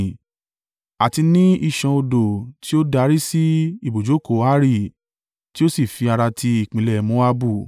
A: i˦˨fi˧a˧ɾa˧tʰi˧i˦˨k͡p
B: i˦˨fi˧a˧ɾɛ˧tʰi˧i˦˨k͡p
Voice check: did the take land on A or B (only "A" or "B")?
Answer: A